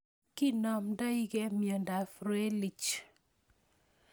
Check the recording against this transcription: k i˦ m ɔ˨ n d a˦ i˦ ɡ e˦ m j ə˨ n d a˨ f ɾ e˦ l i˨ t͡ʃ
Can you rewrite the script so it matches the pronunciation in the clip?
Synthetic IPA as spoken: k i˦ n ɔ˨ m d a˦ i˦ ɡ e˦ m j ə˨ n d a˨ f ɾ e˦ l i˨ t͡ʃ